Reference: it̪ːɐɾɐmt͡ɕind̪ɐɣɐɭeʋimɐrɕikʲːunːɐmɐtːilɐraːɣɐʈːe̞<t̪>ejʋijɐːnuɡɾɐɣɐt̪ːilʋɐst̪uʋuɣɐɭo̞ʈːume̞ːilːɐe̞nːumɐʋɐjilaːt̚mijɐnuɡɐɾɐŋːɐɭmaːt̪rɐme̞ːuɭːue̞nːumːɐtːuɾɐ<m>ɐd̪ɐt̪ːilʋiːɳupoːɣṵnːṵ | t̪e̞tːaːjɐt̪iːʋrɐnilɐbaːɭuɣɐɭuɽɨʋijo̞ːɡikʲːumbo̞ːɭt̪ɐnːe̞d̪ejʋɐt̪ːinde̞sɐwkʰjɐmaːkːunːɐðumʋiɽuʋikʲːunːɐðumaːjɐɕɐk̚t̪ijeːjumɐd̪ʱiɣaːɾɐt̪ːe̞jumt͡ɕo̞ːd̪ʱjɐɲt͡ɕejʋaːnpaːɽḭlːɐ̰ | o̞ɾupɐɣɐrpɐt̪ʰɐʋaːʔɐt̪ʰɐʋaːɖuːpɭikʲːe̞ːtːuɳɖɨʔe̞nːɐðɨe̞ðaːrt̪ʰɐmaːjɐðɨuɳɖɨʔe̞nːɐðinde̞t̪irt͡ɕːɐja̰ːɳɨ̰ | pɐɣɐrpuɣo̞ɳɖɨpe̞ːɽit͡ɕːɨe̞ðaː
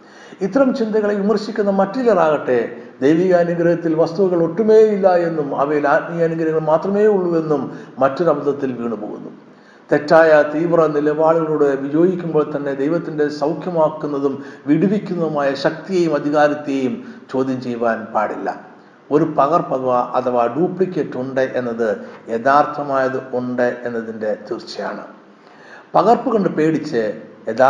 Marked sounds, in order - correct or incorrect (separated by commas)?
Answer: incorrect, incorrect